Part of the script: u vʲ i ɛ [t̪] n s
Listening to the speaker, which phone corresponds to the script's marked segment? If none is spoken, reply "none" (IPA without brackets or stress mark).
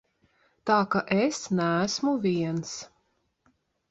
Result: none